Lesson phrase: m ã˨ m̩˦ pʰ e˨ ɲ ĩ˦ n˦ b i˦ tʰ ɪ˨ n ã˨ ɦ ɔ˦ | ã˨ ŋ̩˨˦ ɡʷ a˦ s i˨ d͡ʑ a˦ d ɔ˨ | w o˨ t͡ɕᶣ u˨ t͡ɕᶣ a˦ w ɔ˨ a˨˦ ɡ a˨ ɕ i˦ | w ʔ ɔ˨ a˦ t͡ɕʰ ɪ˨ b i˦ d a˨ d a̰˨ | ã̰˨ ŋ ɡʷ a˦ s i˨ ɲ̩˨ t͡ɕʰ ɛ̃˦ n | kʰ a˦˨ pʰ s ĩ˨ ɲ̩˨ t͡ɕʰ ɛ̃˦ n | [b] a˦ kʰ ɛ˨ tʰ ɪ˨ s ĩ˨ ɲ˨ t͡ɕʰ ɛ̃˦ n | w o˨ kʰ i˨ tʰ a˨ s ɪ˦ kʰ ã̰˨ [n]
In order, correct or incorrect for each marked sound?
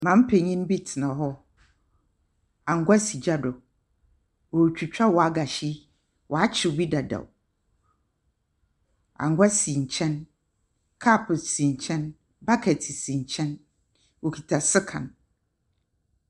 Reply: correct, correct

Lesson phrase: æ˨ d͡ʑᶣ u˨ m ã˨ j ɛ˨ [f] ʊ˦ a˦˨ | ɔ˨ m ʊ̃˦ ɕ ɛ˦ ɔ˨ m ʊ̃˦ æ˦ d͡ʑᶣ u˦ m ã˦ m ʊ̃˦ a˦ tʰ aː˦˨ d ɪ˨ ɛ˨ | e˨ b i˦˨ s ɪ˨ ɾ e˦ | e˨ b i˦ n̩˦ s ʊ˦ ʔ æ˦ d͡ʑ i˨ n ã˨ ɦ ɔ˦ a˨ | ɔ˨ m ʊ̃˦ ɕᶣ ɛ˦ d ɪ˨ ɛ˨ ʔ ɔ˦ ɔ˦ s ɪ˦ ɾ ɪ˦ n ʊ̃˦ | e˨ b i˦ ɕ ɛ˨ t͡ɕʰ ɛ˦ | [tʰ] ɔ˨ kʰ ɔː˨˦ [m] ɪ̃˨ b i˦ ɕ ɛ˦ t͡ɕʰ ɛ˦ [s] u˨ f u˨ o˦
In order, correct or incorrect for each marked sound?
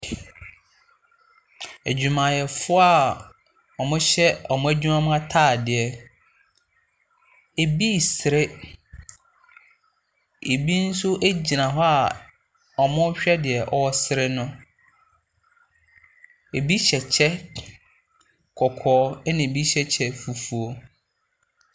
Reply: correct, incorrect: kʰ, incorrect: n, incorrect: f

